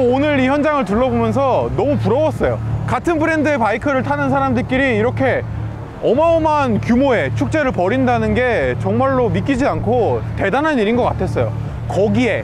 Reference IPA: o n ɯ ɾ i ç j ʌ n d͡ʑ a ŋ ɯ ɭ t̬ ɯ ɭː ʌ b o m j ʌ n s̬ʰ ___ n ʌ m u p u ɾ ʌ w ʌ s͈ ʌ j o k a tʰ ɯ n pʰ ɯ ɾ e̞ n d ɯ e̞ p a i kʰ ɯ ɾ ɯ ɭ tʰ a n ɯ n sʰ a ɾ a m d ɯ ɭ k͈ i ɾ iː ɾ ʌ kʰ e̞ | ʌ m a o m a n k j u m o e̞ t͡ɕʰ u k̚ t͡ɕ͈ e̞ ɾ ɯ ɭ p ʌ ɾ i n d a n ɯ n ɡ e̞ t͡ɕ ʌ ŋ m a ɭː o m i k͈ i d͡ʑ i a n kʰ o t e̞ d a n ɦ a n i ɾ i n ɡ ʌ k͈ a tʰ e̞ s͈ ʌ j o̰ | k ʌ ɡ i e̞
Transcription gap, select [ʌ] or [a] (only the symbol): ʌ